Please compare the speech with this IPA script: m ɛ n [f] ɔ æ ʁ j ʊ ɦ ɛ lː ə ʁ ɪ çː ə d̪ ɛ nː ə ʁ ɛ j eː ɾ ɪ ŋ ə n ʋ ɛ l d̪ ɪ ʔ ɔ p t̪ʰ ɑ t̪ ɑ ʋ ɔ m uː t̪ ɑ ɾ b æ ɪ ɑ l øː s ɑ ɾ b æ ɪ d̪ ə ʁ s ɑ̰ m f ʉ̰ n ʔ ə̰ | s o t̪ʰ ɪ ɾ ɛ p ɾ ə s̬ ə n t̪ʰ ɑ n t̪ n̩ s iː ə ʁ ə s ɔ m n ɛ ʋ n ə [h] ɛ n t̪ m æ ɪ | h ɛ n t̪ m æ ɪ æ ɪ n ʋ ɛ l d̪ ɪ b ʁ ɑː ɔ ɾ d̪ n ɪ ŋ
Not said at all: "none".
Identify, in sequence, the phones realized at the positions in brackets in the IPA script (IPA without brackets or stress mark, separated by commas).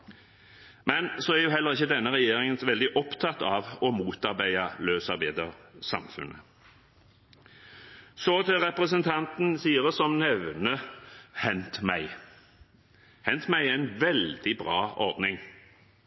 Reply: s, h